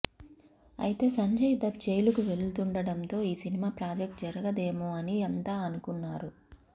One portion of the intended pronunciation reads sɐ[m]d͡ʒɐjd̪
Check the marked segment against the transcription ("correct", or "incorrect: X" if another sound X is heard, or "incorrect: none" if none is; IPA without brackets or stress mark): incorrect: ɲ